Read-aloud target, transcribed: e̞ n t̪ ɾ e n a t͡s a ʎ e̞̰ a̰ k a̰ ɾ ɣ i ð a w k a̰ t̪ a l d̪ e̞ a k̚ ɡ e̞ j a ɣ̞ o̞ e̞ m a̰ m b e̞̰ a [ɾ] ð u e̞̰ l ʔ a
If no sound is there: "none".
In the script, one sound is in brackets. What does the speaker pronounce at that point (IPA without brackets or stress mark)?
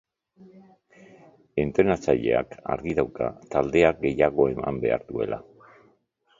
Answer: ɾ